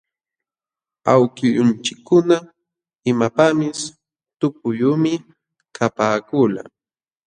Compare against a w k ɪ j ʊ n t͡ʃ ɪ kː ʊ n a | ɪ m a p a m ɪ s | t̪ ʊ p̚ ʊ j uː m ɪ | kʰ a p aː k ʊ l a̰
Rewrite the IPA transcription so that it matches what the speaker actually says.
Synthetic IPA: a w k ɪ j ʊ n t͡ʃ ɪ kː ʊ n a | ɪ m a p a m ɪ s | t̪ ʊ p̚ ʊ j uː m ɪ | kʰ a p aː k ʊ l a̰